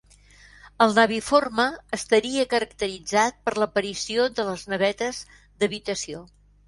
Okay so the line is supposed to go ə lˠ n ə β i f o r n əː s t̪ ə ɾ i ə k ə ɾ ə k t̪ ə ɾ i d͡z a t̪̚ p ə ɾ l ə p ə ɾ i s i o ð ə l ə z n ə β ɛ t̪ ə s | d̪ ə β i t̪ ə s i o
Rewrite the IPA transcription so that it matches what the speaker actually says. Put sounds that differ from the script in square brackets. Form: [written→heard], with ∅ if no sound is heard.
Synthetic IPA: ə lˠ n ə β i f o r [n→m] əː s t̪ ə ɾ i ə k ə ɾ ə k t̪ ə ɾ i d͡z a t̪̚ p ə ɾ l ə p ə ɾ i s i o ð ə l ə z n ə β ɛ t̪ ə [s→z] | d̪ ə β i t̪ ə s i o